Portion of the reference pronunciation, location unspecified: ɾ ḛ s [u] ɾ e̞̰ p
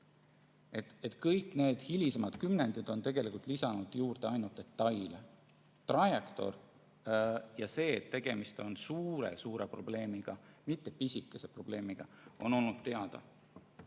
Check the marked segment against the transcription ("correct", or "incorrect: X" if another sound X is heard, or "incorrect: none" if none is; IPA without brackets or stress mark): incorrect: uː